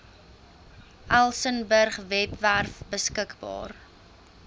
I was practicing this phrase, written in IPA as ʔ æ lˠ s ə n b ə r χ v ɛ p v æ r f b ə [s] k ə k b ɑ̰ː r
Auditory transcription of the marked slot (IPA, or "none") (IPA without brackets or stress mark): s